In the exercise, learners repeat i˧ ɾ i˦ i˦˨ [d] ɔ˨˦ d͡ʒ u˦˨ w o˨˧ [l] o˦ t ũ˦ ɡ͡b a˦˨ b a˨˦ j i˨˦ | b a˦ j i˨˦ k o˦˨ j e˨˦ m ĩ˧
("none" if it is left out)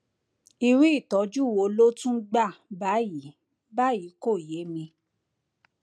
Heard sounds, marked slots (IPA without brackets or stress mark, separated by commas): t, l